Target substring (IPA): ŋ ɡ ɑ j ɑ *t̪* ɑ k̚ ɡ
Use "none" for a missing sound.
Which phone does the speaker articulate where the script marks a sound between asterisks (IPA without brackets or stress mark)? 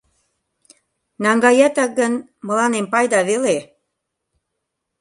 t̪